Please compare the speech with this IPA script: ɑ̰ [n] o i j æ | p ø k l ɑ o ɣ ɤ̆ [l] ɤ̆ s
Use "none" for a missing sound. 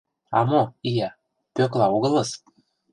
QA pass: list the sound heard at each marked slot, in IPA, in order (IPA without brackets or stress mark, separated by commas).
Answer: m, l